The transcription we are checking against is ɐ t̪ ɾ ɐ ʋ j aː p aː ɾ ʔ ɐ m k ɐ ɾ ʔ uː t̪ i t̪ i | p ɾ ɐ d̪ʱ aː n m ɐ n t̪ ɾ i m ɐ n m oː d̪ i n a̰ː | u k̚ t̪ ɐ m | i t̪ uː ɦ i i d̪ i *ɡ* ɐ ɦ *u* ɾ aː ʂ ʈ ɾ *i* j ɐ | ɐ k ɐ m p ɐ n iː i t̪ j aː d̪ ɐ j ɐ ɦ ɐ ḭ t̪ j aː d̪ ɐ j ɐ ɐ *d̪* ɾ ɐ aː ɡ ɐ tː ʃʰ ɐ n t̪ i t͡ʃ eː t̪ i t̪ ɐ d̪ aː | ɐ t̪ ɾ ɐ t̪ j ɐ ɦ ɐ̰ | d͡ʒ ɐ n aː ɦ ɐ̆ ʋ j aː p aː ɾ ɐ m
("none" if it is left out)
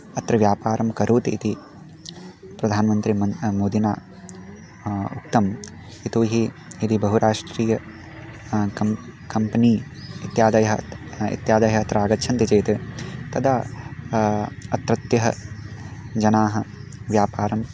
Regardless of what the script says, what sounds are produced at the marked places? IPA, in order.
b, u, iː, t̪

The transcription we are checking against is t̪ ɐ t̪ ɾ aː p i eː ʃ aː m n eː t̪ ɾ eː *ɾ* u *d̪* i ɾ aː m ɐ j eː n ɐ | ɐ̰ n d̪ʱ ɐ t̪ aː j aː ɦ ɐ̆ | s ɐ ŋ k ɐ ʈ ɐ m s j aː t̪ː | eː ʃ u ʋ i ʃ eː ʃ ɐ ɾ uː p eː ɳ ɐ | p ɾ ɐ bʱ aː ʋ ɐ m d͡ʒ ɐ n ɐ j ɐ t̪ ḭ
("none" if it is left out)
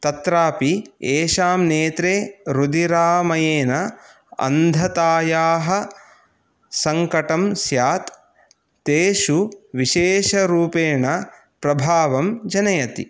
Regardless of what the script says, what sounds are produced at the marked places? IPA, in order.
ɾ, d̪

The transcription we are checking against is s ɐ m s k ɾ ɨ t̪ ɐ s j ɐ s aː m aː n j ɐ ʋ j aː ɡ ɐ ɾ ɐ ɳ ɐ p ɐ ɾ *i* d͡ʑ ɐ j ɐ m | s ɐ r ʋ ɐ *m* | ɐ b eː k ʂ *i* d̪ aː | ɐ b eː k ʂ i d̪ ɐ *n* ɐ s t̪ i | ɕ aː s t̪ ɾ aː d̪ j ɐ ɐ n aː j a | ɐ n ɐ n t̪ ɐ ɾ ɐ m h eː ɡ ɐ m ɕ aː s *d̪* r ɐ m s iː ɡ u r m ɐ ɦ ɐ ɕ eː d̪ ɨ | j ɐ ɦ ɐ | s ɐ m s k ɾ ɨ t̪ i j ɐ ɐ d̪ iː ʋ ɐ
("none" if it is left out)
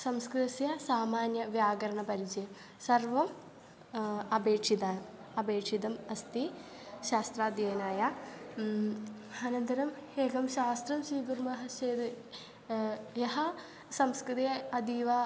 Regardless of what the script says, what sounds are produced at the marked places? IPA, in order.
i, m, i, m, t̪

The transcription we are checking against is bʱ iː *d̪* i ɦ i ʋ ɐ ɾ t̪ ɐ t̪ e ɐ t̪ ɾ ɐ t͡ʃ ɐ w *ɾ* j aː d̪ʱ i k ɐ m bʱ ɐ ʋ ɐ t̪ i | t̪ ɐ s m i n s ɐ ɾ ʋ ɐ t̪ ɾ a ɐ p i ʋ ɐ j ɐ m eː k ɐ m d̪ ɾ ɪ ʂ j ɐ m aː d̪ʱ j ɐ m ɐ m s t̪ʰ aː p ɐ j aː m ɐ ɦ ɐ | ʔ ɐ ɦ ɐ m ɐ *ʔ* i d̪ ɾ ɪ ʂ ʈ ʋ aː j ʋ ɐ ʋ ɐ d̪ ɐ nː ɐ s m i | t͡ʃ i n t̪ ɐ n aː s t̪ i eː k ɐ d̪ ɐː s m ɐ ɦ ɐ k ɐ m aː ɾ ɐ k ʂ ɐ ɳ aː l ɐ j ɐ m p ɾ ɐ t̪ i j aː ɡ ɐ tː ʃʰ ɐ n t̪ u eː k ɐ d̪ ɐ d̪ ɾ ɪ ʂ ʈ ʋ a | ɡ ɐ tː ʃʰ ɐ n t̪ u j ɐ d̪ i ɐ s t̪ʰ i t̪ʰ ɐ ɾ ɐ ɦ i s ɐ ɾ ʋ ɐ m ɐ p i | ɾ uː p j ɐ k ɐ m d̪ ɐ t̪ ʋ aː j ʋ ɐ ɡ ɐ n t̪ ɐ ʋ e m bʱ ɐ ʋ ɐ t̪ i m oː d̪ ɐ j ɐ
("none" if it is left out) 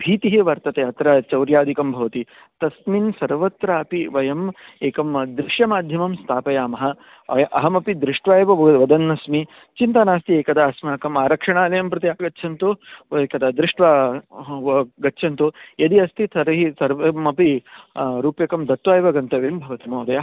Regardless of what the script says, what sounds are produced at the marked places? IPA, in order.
t̪, ɾ, p

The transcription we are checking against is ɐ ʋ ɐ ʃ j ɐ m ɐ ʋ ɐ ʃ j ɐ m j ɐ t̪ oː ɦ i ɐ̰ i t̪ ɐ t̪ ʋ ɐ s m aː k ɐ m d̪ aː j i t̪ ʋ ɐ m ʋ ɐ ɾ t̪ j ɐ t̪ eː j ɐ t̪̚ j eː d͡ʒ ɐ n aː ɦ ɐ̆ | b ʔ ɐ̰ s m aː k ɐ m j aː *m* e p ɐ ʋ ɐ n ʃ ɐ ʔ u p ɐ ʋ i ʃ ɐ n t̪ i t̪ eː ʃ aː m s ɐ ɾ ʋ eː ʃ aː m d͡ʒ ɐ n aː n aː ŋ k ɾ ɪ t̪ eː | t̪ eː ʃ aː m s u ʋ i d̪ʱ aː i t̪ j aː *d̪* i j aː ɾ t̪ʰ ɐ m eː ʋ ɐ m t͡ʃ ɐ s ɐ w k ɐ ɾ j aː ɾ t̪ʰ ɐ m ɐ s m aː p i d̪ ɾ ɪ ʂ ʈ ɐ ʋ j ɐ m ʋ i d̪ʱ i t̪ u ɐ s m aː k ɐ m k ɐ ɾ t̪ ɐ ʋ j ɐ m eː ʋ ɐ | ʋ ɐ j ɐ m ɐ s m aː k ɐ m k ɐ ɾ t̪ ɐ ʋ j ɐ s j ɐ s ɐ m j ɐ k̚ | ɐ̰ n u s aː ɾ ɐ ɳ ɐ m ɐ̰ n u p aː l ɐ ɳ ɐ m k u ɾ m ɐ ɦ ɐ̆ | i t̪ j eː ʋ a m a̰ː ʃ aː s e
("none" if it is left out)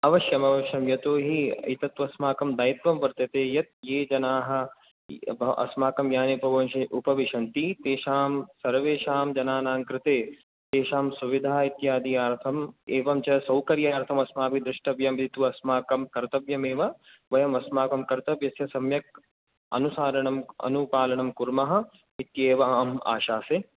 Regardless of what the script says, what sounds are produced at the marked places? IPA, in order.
n, d̪

